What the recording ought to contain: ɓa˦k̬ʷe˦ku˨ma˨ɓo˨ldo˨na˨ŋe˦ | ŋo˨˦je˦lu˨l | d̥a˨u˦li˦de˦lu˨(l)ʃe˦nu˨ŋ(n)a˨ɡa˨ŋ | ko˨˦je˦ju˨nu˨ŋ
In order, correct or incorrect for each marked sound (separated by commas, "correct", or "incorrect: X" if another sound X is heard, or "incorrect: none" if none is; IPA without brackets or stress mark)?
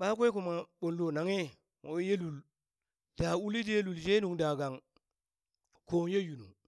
correct, incorrect: d